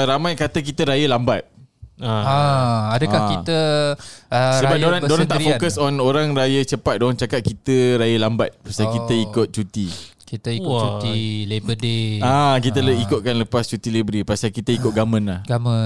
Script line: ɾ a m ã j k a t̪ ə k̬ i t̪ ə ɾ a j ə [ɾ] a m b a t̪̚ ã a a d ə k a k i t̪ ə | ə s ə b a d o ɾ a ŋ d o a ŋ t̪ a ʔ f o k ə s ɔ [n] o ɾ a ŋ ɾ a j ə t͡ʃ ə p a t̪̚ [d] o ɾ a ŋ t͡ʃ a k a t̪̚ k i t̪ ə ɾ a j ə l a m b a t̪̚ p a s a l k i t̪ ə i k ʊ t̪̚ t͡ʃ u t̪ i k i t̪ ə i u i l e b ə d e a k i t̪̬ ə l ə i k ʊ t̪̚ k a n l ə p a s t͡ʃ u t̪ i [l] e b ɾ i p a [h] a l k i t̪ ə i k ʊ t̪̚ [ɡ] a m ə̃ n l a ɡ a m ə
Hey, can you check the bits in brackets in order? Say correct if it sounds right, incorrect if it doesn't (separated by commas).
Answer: incorrect, correct, correct, correct, incorrect, correct